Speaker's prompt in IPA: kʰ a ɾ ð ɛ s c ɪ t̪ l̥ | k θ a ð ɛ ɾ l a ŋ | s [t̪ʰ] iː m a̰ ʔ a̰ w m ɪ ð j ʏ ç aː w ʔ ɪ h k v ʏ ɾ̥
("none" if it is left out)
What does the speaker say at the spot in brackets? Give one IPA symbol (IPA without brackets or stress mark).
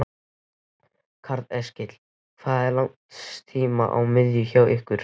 t̪ʰ